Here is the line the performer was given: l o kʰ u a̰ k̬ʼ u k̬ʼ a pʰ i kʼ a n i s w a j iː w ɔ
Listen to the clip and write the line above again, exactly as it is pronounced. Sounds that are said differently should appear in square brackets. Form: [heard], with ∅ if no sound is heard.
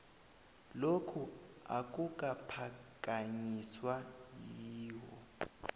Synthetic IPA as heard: l o kʰ u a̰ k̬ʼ u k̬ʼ a pʰ [a] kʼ a [ɲ] i s w a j iː w ɔ